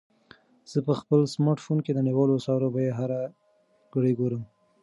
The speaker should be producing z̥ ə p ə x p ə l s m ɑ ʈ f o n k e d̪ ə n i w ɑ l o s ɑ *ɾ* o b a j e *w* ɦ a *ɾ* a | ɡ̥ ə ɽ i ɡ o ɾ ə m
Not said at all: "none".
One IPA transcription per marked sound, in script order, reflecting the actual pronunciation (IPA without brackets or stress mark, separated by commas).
ɾ, none, ɾ